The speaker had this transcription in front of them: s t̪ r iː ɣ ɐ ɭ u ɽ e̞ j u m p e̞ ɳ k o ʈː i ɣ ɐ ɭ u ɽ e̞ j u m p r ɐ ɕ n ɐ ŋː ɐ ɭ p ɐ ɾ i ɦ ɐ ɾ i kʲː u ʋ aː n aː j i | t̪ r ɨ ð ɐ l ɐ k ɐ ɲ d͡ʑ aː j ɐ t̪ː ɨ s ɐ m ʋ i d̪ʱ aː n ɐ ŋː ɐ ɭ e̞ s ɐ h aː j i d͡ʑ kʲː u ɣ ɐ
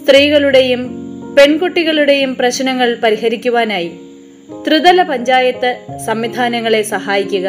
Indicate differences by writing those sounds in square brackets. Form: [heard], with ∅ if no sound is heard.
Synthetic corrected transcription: s t̪ r iː ɣ ɐ ɭ u ɽ e̞ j u m p e̞ ɳ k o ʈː i ɣ ɐ ɭ u ɽ e̞ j u m p r ɐ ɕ n ɐ ŋː ɐ ɭ p ɐ ɾ i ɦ ɐ ɾ i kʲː u ʋ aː n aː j i | t̪ r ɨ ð ɐ l ɐ [p] ɐ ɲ d͡ʑ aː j ɐ t̪ː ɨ s ɐ m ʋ i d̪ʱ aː n ɐ ŋː ɐ ɭ e̞ s ɐ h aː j i [∅] kʲː u ɣ ɐ